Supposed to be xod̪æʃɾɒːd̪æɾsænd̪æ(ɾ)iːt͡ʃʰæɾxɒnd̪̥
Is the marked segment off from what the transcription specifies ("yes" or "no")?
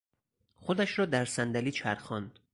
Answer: yes